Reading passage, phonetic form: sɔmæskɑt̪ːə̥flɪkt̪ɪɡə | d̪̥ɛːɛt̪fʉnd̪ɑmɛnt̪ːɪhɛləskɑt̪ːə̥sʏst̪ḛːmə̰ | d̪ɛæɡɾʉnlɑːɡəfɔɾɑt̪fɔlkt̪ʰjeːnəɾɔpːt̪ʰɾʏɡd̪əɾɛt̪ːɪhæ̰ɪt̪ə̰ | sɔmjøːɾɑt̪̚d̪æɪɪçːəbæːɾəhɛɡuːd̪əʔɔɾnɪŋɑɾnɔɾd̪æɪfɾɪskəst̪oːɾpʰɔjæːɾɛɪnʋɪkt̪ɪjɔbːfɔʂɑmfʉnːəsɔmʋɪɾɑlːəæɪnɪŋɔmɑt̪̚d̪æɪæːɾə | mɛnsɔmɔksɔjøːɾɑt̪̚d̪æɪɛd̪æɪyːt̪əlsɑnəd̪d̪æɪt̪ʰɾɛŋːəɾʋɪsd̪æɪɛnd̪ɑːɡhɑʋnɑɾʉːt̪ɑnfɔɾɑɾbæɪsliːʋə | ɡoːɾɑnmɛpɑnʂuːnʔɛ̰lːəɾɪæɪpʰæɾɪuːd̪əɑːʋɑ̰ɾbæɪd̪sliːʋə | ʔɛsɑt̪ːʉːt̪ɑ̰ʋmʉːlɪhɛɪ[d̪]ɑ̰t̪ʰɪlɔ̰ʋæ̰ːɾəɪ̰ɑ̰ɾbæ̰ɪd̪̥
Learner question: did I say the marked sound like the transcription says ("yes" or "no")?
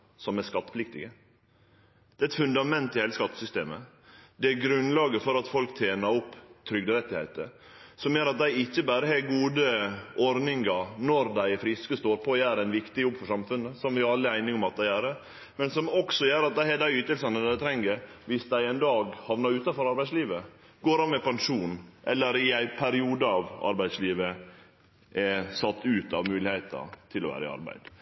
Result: no